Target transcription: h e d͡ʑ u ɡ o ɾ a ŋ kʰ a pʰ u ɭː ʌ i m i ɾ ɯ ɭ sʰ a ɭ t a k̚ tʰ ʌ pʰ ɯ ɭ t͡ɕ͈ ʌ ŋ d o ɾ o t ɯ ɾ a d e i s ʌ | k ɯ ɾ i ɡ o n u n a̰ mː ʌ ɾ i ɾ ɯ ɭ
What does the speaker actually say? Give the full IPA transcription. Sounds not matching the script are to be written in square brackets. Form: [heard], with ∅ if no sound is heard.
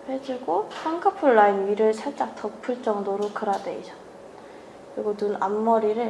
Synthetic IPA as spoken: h e d͡ʑ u ɡ o [∅] a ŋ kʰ a pʰ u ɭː [a] i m i ɾ ɯ ɭ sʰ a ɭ [t͡ɕ͈] a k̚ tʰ ʌ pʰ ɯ ɭ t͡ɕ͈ ʌ ŋ d o ɾ o [k] ɯ ɾ a d e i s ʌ | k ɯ ɾ i ɡ o n u n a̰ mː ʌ ɾ i ɾ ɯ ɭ